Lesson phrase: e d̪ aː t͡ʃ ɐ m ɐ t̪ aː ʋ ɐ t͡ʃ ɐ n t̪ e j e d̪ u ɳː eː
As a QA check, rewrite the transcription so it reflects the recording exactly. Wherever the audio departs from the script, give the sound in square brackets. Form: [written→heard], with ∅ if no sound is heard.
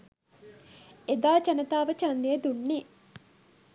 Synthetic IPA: e d̪ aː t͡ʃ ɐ [m→n] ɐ t̪ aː ʋ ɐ t͡ʃ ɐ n [t̪→d̪] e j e d̪ u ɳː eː